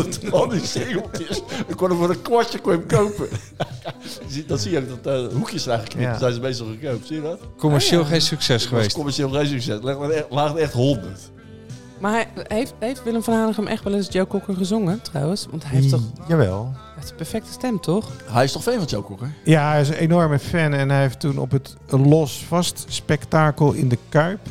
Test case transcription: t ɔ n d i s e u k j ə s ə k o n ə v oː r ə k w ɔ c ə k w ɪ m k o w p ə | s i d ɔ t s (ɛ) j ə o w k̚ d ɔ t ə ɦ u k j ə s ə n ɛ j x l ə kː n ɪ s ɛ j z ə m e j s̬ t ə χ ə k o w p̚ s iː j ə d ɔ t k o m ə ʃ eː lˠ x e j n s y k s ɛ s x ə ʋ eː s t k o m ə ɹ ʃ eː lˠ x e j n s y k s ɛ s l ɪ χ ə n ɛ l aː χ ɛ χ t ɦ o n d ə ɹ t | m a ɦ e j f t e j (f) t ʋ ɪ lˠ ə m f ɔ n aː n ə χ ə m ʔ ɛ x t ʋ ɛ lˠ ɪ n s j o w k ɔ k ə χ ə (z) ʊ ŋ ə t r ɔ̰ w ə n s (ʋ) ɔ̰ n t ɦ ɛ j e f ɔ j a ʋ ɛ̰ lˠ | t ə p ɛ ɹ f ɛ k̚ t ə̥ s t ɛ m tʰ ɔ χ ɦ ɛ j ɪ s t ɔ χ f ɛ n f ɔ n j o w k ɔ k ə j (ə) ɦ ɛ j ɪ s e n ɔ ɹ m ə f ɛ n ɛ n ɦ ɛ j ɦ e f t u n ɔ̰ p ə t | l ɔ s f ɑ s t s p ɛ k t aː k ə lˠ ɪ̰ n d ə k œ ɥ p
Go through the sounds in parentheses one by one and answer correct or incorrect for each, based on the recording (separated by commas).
incorrect, correct, correct, correct, incorrect